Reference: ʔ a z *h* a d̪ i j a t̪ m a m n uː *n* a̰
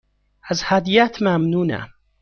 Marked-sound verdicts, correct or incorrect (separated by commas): correct, correct